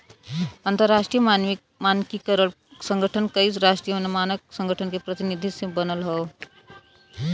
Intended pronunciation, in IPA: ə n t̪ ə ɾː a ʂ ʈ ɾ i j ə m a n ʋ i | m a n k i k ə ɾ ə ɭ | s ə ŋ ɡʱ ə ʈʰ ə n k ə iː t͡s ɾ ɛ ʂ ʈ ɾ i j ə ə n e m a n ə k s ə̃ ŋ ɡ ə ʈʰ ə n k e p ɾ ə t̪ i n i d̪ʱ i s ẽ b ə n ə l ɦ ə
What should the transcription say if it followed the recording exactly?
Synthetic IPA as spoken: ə n t̪ ə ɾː a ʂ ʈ ɾ i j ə m a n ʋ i | m a n k i k ə ɾ ə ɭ | s ə ŋ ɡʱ ə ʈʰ ə n k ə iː t͡s ɾ a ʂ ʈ ɾ i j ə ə n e m a n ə k s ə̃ ŋ ɡ ə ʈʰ ə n k e p ɾ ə t̪ i n i d̪ʱ i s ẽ b ə n ə l ɦ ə